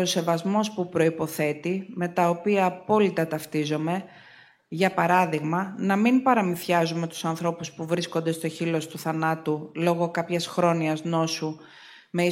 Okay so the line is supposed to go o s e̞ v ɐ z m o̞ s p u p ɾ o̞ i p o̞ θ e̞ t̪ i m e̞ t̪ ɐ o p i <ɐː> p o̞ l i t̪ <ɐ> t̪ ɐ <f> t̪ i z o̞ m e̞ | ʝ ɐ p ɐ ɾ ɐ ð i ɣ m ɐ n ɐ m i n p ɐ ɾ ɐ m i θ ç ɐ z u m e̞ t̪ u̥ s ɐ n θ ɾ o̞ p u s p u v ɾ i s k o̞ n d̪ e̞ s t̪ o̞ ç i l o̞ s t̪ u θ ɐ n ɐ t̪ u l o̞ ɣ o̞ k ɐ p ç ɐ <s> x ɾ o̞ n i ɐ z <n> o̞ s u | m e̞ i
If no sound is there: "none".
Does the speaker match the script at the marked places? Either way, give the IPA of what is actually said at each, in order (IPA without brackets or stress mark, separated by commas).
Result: ɐː, ɐ, f, s, n